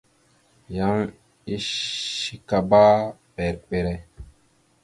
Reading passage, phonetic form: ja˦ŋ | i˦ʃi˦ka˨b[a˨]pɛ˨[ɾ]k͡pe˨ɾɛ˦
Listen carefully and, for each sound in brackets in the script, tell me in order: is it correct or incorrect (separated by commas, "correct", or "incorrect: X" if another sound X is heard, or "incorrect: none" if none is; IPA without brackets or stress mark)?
incorrect: a˦, correct